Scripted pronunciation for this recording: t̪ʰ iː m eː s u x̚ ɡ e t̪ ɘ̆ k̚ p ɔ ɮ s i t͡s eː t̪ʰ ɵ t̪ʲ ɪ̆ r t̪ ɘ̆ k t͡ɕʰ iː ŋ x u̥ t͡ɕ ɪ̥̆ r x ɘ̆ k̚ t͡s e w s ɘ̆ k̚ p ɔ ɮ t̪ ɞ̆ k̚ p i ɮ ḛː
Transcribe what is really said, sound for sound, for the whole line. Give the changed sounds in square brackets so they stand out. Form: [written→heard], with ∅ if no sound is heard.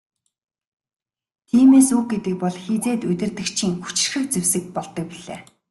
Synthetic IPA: t̪ʰ iː m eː s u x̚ ɡ e t̪ ɘ̆ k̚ p ɔ ɮ [s→x] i t͡s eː [t̪ʰ→t̪] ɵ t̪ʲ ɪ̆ r t̪ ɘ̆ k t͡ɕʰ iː ŋ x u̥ t͡ɕ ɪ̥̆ r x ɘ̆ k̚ t͡s e w s ɘ̆ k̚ p ɔ ɮ t̪ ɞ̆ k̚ p i ɮ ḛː